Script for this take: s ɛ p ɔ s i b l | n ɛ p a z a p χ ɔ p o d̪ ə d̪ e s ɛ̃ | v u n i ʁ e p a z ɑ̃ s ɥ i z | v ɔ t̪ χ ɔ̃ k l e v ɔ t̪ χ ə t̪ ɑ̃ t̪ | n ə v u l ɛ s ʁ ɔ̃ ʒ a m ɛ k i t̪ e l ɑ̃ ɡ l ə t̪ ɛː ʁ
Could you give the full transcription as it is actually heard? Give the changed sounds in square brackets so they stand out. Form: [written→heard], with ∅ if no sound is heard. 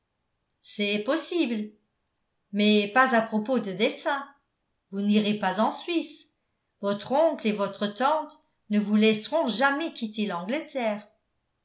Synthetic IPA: s ɛ p ɔ s i b l | [n→m] ɛ p a z a p χ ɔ p o d̪ ə d̪ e s ɛ̃ | v u n i ʁ e p a z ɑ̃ s ɥ i [z→s] | v ɔ t̪ χ ɔ̃ k l e v ɔ t̪ χ ə t̪ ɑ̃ t̪ | n ə v u l ɛ s ʁ ɔ̃ ʒ a m ɛ k i t̪ e l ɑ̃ ɡ l ə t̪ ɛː ʁ